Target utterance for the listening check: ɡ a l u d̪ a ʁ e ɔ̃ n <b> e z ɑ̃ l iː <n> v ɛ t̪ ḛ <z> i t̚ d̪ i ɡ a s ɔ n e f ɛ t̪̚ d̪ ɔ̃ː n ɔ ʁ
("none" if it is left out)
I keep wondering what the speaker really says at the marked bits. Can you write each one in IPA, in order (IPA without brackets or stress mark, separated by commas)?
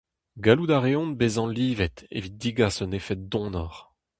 b, none, v